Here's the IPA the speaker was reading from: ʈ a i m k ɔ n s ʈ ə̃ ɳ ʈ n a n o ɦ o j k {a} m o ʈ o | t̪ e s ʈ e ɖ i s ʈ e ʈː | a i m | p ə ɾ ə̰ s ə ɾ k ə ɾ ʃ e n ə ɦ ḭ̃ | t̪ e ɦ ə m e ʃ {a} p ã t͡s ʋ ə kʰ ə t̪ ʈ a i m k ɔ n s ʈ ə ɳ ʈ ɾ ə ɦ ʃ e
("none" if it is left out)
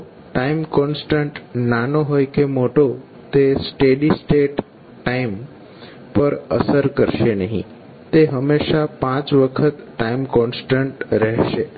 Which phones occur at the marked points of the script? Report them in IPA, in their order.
e, a

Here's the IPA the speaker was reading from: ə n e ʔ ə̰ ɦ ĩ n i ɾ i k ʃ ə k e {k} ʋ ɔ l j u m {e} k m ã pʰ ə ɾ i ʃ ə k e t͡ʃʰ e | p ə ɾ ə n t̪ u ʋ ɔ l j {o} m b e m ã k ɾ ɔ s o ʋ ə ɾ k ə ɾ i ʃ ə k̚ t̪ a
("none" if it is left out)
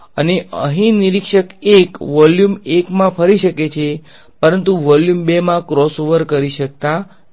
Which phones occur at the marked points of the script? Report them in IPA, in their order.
k, e, u

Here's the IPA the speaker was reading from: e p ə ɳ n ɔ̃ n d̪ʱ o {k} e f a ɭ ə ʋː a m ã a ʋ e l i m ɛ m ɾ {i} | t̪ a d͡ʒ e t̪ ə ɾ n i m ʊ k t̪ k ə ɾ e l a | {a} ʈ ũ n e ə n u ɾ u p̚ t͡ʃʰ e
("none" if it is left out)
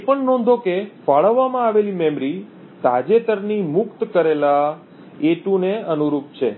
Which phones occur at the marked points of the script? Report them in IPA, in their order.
k, i, e

